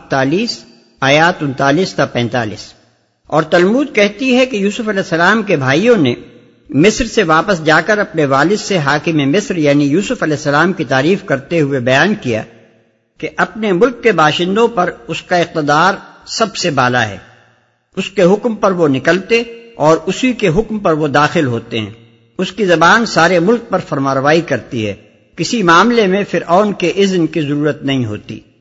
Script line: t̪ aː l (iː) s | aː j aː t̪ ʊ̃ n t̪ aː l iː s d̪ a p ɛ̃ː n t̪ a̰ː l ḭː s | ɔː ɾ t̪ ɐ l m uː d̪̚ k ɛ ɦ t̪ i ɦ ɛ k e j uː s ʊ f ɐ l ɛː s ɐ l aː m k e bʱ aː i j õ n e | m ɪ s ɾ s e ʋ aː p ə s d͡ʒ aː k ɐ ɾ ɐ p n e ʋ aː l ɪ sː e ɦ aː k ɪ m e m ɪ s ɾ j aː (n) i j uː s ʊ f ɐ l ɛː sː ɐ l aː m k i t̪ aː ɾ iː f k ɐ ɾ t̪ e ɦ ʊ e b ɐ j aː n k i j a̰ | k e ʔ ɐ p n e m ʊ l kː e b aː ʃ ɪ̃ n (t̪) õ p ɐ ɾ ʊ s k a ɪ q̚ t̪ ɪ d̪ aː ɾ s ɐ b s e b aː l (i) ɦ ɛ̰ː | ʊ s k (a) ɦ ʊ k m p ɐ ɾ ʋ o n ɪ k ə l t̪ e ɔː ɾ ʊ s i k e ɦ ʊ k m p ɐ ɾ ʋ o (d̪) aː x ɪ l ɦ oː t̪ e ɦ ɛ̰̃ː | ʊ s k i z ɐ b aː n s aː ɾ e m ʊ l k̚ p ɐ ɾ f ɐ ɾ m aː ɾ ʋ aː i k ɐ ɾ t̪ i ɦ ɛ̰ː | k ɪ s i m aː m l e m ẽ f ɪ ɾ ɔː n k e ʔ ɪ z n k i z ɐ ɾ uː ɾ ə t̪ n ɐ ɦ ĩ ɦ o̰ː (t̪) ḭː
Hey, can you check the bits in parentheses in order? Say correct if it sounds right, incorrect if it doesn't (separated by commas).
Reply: correct, correct, incorrect, incorrect, incorrect, correct, correct